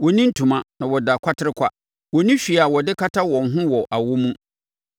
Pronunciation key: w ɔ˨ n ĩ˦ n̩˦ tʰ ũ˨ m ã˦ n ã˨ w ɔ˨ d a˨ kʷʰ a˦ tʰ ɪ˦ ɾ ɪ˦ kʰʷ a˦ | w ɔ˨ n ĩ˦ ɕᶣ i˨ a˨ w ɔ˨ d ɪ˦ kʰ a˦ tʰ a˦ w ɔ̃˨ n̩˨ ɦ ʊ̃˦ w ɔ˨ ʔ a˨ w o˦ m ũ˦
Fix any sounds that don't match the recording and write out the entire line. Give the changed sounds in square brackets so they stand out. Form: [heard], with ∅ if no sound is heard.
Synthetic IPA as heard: w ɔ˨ n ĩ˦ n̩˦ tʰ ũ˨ m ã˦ n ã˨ w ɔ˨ d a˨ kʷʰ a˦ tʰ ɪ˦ ɾ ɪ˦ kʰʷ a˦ | w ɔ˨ n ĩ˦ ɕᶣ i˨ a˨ w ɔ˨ d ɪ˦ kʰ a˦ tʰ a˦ w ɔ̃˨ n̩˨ ɦ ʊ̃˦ w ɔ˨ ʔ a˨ w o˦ m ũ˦